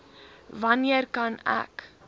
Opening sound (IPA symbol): v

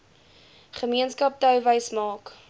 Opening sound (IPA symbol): χ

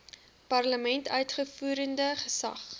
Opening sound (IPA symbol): p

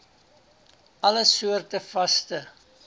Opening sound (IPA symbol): ɐ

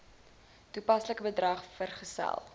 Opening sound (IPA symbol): t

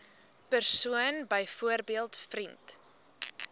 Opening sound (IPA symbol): p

